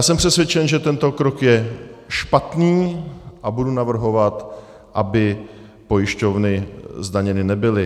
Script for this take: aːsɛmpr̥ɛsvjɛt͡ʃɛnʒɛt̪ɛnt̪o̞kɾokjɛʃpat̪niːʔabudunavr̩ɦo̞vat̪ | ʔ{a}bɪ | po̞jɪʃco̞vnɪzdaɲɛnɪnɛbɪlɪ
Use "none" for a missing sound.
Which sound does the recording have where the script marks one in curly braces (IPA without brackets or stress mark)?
a